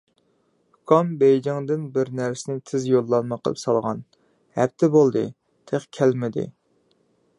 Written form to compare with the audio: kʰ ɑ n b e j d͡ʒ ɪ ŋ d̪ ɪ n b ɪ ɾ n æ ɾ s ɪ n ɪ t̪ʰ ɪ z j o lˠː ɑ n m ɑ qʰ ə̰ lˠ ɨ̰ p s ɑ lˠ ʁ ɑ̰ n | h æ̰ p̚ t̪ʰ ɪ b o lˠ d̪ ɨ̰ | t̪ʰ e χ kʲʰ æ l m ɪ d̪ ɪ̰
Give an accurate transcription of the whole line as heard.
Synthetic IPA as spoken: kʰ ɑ m b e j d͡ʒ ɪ ŋ d̪ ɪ n b ɪ ɾ n æ ɾ s ɪ n ɪ t̪ʰ ɪ z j o lˠː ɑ n m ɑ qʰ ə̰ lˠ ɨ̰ p s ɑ lˠ ʁ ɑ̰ n | h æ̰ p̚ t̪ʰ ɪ b o lˠ d̪ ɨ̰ | t̪ʰ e χ kʲʰ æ l m ɪ d̪ ɪ̰